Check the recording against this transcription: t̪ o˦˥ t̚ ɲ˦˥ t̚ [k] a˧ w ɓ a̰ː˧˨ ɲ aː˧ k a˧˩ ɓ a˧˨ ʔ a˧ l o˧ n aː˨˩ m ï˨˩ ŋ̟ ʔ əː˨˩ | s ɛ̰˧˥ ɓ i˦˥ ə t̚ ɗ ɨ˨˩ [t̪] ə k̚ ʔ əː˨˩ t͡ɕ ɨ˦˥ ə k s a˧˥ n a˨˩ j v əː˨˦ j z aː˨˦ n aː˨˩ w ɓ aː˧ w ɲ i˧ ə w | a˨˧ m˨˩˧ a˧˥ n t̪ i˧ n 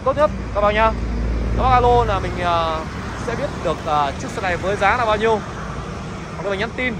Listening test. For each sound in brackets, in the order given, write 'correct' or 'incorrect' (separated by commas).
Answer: correct, incorrect